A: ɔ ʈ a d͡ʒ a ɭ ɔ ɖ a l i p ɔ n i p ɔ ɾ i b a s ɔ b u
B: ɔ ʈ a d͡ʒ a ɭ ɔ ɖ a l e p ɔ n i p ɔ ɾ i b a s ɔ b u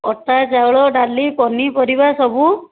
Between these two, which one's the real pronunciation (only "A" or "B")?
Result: A